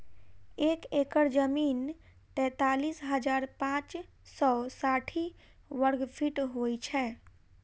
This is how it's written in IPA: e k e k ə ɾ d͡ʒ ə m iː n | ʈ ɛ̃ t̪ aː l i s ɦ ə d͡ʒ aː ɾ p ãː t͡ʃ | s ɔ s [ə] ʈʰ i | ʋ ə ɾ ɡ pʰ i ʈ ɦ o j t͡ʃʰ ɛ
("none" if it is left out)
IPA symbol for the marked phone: a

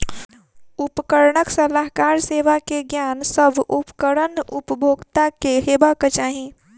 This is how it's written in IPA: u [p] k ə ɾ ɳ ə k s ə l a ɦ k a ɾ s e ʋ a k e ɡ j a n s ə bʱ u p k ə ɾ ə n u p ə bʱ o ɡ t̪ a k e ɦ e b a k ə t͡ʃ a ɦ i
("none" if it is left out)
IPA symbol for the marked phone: p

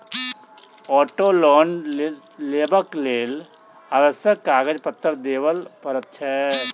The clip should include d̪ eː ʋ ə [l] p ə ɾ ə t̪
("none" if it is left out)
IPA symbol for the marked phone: l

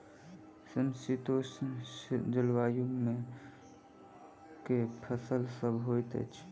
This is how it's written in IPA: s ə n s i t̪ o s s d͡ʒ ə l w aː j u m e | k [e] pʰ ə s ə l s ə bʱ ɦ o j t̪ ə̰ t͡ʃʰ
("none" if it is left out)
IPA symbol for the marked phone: e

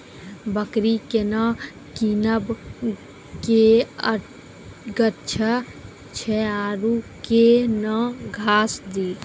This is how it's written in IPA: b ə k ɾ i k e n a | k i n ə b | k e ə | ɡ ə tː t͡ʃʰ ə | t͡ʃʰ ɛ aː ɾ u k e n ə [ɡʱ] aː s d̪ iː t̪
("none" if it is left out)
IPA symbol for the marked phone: ɡʱ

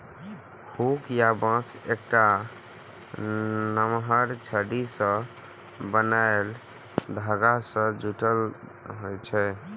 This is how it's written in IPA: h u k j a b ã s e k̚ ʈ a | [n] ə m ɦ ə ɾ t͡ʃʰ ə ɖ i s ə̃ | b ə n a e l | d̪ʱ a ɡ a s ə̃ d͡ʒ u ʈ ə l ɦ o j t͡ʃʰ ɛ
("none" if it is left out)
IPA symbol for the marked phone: n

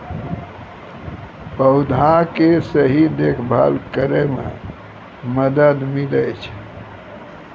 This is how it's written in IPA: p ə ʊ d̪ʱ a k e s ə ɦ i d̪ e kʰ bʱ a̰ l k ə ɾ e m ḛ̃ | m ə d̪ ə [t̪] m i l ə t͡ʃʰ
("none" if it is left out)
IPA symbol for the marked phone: d̪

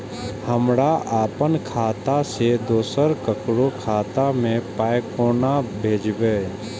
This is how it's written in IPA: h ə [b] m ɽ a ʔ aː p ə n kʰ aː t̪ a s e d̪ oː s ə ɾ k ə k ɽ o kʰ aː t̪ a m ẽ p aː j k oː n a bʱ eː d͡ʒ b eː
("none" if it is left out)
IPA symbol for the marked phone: none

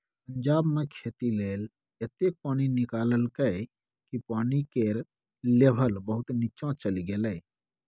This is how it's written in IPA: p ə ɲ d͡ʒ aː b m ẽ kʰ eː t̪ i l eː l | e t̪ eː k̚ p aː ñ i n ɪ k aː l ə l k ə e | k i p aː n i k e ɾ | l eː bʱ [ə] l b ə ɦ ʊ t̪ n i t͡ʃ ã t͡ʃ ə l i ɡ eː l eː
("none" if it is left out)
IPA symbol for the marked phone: ə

